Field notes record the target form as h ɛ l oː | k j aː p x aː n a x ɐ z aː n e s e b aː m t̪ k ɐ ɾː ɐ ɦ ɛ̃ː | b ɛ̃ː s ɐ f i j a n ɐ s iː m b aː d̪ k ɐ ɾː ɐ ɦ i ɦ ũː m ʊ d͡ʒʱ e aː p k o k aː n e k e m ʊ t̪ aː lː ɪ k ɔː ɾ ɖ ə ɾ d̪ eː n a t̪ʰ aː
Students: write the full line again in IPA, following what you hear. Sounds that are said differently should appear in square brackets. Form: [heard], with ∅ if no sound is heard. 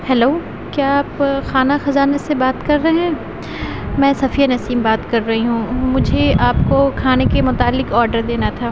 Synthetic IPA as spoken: h ɛ l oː | k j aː p x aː n a x ɐ z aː n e s e b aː [∅] t̪ k ɐ ɾː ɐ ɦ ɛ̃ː | [m] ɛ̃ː s ɐ f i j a n ɐ s iː m b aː [t̪] k ɐ ɾː ɐ ɦ i ɦ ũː m ʊ d͡ʒʱ e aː p k o [kʰ] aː n e k e m ʊ t̪ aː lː ɪ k ɔː ɾ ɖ ə ɾ d̪ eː n a t̪ʰ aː